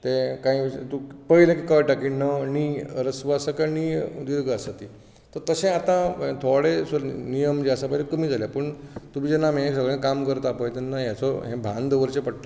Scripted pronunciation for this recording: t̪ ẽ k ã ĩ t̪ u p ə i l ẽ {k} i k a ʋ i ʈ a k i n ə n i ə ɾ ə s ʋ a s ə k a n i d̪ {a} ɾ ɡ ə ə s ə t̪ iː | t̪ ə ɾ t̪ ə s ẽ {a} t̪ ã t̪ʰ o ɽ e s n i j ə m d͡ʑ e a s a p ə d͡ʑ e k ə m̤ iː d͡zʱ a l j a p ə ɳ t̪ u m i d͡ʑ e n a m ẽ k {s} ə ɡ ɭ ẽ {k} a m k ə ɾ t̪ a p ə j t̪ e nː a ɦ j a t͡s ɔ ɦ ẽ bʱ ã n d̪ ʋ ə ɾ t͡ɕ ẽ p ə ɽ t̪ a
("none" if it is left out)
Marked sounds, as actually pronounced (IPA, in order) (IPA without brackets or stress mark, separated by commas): k, i, a, s, k